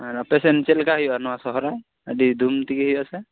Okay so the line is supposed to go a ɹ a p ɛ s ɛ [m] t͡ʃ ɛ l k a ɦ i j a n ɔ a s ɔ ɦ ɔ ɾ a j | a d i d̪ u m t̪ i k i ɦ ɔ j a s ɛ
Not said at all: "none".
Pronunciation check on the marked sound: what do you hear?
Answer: n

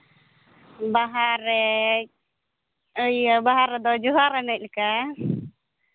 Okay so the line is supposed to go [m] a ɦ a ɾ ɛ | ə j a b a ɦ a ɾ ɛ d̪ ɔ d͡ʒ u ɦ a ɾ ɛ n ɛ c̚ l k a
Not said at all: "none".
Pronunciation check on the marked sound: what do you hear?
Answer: b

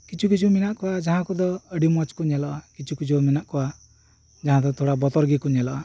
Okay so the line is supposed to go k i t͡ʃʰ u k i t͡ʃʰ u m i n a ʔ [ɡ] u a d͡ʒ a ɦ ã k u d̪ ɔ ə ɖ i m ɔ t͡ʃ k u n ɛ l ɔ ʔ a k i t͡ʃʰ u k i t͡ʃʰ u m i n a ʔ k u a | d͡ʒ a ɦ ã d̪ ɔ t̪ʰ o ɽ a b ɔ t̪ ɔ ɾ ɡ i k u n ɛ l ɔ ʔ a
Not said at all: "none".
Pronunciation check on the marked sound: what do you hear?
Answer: k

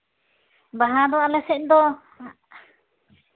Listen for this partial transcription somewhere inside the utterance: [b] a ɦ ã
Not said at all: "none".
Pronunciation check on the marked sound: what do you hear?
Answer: b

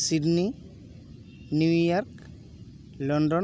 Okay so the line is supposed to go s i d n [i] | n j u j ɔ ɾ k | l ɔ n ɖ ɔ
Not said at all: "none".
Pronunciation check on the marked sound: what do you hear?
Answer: i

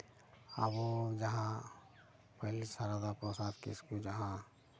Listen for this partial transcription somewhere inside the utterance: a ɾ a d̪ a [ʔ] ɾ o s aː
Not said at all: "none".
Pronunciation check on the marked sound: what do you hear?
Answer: p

